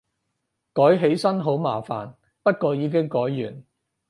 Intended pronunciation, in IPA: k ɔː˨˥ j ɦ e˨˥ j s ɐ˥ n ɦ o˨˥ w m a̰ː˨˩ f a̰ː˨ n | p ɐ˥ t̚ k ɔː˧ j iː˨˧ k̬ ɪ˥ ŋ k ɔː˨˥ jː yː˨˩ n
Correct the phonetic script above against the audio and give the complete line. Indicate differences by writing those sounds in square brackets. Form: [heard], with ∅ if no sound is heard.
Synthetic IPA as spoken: k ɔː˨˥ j ɦ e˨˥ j s ɐ˥ n ɦ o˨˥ w m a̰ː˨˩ f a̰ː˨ n | p ɐ˥ t̚ k ɔː˧ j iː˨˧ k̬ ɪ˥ ŋ k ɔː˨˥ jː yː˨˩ n